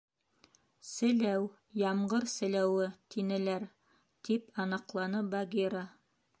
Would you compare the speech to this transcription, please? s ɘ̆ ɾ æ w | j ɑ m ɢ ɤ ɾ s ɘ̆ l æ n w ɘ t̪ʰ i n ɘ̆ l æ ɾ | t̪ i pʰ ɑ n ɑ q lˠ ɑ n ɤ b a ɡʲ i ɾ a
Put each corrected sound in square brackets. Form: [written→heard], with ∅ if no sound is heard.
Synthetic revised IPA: s ɘ̆ [ɾ→l] æ w | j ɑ m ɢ ɤ ɾ s ɘ̆ l æ [n→∅] w ɘ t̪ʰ i n ɘ̆ l æ ɾ | t̪ i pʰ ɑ n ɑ q lˠ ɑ n ɤ b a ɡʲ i ɾ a